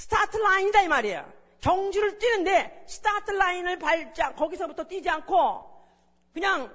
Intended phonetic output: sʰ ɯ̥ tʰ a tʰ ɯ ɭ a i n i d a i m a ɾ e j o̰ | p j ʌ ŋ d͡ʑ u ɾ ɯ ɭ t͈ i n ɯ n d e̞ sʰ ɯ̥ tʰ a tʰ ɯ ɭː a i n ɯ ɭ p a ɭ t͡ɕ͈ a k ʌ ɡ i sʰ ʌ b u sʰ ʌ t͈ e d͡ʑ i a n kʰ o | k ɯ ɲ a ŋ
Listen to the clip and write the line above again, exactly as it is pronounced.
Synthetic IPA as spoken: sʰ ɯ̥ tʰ a tʰ ɯ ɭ a i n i d a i m a ɾ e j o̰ | k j ʌ ŋ d͡ʑ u ɾ ɯ ɭ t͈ i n ɯ n d e̞ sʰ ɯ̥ tʰ a tʰ ɯ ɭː a i n ɯ ɭ p a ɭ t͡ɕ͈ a k ʌ ɡ i sʰ ʌ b u tʰ ʌ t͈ i d͡ʑ i a n kʰ o | k ɯ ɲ a ŋ